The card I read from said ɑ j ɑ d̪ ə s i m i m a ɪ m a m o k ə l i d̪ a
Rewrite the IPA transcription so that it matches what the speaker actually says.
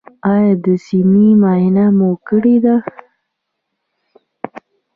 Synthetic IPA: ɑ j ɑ d̪ ə s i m i m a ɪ n a m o k ə ɽ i d̪ a